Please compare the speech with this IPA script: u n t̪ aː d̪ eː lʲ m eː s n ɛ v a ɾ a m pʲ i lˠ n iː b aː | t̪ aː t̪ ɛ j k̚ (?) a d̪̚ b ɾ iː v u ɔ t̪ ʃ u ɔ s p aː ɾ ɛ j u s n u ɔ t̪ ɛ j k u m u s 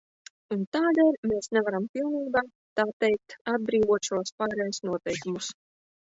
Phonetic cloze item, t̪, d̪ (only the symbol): t̪